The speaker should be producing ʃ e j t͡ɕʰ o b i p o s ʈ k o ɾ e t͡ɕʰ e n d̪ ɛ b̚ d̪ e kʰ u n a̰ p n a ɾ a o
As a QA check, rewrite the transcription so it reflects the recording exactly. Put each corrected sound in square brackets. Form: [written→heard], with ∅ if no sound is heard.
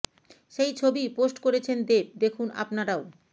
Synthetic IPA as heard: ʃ e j t͡ɕʰ o b i p o s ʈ k o ɾ e t͡ɕʰ e n d̪ [ɛ→e] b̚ d̪ e kʰ u n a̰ p n a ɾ a o